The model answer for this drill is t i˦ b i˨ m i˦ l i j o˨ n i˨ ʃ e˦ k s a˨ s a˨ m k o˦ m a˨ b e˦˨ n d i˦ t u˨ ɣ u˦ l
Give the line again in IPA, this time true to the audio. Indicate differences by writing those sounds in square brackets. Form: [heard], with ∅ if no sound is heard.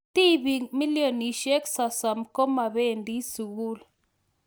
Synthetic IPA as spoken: t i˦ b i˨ m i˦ l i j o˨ n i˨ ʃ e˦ k s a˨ s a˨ m k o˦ m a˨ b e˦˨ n d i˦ [s] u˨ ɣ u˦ l

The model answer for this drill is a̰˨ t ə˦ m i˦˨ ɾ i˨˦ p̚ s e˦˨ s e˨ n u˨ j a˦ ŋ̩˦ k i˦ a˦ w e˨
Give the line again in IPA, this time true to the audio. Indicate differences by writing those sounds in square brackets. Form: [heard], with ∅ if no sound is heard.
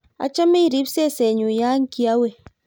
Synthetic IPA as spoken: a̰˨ [t͡ʃ] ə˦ m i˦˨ ɾ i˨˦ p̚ s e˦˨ s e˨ [ɲ] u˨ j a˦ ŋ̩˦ k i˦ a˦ w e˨

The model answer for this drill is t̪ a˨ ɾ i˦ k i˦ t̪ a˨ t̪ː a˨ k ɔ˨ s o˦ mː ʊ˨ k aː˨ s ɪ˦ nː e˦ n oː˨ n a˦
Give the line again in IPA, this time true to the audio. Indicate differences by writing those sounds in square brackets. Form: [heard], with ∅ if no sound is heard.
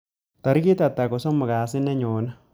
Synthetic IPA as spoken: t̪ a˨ ɾ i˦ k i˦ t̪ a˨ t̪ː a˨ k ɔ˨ s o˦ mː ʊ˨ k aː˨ s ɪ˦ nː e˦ [ɲ] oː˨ n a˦

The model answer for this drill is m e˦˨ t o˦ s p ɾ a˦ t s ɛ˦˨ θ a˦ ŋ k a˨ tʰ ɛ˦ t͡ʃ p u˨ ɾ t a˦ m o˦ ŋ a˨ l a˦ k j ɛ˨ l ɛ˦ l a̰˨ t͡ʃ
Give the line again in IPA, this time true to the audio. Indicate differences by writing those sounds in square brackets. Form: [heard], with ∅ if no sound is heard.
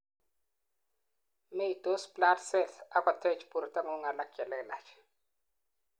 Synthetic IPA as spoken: m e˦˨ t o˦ s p [l] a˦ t s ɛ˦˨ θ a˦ [∅] k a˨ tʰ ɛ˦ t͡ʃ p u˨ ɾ t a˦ [ŋ] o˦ ŋ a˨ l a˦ k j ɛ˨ l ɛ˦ l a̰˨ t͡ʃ

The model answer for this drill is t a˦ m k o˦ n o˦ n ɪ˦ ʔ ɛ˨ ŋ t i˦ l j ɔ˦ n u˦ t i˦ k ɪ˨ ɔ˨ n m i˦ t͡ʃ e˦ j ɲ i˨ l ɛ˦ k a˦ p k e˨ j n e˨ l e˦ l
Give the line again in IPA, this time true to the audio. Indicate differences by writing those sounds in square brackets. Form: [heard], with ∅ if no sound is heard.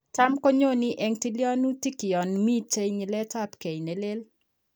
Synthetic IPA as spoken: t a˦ m k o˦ [ɲ] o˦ n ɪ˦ ʔ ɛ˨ ŋ t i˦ l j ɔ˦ n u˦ t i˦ k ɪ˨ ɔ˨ n m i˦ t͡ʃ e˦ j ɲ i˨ l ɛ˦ [t] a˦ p k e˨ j n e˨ l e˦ l

